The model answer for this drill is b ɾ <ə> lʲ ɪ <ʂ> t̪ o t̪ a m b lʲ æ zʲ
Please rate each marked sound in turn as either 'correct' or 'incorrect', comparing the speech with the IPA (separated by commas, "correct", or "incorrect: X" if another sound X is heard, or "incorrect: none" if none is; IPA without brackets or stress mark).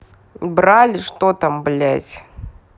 incorrect: a, correct